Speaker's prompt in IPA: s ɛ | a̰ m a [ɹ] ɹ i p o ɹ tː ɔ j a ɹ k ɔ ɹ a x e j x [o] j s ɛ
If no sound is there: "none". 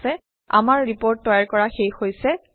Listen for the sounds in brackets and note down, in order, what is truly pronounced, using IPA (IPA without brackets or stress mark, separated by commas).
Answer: ɹ, o